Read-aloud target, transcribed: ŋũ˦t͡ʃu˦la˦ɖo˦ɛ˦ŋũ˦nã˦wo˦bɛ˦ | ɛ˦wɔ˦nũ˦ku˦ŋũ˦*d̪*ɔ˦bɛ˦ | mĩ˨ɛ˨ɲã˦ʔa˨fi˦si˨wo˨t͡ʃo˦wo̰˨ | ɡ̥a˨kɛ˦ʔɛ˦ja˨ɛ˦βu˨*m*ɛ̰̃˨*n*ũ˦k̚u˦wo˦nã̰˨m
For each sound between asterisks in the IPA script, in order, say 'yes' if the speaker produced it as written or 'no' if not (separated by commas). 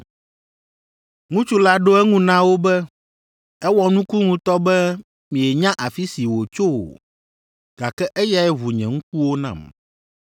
no, no, no